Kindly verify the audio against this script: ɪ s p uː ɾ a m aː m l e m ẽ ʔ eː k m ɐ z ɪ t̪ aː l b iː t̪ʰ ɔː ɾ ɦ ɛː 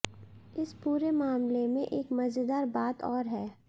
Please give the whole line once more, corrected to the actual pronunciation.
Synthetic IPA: ɪ s p uː ɾ e m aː m l e m ẽ ʔ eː k m ɐ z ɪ d̪ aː ɾ b aː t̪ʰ ɔː ɾ ɦ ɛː